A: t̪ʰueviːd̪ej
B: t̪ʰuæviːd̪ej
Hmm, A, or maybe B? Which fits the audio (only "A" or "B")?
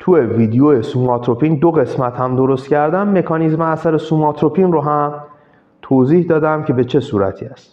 A